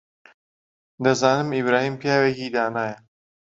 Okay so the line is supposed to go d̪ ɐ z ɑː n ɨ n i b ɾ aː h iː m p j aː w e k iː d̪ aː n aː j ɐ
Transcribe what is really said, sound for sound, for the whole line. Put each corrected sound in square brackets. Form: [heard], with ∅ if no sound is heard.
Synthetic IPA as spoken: d̪ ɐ z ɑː n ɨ [m] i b ɾ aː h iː m p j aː w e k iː d̪ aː n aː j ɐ

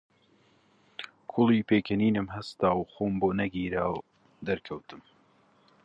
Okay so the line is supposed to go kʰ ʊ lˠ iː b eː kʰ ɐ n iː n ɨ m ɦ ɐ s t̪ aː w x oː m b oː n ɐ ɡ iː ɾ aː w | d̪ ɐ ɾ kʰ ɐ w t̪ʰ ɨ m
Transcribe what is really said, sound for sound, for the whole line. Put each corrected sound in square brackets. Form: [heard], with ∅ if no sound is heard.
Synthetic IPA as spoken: kʰ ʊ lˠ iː [p] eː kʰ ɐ n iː n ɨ m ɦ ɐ s t̪ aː w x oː m b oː n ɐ ɡ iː ɾ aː w | d̪ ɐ ɾ kʰ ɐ w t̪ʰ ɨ m

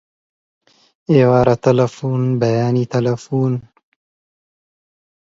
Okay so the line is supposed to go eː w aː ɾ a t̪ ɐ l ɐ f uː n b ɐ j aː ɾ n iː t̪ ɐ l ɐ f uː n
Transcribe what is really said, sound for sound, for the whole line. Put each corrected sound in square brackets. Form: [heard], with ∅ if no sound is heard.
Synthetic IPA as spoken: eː w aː ɾ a t̪ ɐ l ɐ f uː n b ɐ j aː [∅] n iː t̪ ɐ l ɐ f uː n

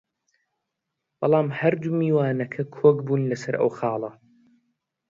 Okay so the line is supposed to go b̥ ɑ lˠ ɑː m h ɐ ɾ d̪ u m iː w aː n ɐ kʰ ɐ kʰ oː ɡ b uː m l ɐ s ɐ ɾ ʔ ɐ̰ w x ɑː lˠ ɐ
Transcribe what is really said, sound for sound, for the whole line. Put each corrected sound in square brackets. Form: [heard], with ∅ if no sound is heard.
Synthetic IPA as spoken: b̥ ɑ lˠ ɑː m h ɐ ɾ d̪ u m iː w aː n ɐ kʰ ɐ kʰ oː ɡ b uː [n] l ɐ s ɐ ɾ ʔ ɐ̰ w x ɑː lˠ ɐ

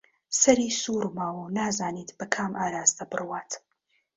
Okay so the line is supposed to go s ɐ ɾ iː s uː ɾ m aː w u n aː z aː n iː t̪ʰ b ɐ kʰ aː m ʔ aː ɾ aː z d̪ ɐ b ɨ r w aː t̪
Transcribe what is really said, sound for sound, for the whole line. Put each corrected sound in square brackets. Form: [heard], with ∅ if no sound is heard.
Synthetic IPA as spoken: s ɐ ɾ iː s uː ɾ m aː w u n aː z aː n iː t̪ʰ b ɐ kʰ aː m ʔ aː ɾ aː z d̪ ɐ b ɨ r w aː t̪

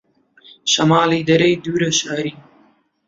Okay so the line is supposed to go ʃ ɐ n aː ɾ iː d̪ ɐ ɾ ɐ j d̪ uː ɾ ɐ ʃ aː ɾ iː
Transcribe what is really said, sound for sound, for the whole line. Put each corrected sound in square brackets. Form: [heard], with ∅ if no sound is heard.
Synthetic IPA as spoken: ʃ ɐ [m] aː [l] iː d̪ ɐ ɾ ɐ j d̪ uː ɾ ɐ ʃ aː ɾ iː

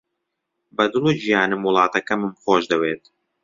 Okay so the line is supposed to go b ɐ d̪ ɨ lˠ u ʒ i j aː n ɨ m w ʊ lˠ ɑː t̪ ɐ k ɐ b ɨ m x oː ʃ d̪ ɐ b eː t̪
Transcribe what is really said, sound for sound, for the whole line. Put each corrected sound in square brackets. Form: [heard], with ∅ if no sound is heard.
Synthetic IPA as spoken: b ɐ d̪ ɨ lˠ u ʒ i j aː n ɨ m w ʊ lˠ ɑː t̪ ɐ k ɐ [m] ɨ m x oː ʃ d̪ ɐ [w] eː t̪

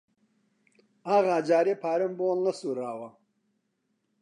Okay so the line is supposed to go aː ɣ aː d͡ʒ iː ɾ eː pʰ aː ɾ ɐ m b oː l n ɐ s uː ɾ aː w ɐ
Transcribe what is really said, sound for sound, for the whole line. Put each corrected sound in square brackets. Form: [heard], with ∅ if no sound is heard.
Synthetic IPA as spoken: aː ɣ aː d͡ʒ [aː] ɾ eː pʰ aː ɾ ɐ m b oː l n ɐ s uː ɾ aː w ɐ

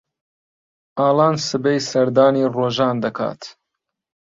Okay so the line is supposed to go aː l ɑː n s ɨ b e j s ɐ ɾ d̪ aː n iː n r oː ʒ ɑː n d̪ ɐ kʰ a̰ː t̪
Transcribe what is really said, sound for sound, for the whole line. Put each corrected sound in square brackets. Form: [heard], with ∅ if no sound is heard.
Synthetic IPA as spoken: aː l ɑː n s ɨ b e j s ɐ ɾ d̪ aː n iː [∅] r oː ʒ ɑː n d̪ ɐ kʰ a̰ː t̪

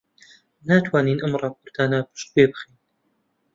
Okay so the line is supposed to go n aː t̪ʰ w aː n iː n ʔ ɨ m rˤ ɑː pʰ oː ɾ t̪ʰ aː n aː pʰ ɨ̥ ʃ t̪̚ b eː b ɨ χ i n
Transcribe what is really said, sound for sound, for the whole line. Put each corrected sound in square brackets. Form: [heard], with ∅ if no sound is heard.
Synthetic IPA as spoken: n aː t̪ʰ w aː n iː n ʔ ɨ m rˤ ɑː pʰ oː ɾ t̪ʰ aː n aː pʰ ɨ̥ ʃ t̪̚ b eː b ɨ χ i n

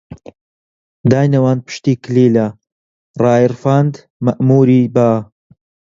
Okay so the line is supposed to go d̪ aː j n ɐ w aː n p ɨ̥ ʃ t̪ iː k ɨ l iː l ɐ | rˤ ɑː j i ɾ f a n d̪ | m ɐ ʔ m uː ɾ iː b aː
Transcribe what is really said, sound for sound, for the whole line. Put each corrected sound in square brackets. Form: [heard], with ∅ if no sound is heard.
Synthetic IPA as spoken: d̪ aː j n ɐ w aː n p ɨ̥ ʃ t̪ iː k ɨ l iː l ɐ | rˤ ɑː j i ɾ f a n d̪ | m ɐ ʔ m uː ɾ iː b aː

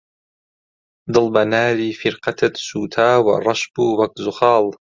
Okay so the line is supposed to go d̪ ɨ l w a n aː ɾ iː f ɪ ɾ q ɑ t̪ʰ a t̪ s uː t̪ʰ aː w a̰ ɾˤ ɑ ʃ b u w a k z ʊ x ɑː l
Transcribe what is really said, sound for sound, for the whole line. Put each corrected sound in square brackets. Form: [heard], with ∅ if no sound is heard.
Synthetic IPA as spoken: d̪ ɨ l [b] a n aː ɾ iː f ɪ ɾ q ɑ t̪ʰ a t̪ s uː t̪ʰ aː w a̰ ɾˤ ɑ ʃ b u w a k z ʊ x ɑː l

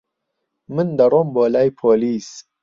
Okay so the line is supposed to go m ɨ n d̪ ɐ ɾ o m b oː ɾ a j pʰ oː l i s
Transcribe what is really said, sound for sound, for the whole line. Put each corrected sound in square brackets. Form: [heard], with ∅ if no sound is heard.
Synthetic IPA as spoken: m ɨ n d̪ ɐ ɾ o m b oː [l] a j pʰ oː l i s

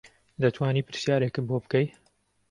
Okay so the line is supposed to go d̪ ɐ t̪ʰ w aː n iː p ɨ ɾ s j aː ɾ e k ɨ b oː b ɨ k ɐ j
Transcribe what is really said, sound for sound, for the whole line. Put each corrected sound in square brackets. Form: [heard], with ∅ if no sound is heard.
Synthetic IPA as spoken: d̪ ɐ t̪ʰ w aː n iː p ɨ ɾ s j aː ɾ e k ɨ b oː b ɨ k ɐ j

